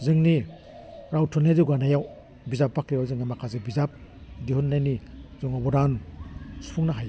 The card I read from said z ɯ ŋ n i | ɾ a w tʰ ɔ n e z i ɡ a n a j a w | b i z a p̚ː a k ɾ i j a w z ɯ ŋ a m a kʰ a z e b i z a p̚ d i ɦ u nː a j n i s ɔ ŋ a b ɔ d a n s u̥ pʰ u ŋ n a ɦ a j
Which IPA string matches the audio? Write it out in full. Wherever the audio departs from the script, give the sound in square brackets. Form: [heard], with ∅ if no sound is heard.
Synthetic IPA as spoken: z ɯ ŋ n i | ɾ a w tʰ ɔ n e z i ɡ a n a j a w | b i z a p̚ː a k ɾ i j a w z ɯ ŋ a m a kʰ a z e b i z a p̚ d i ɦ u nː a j n i [z] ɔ ŋ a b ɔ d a n s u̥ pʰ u ŋ n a ɦ a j